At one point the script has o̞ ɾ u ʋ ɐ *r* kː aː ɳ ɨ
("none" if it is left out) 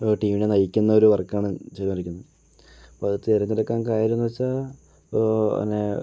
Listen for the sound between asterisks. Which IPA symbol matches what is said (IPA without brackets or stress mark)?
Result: r